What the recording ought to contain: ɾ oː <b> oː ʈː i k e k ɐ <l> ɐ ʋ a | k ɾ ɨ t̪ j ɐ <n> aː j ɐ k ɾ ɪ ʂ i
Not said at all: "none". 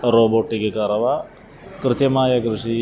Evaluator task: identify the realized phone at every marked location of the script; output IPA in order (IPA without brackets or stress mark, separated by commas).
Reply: b, ɾ, m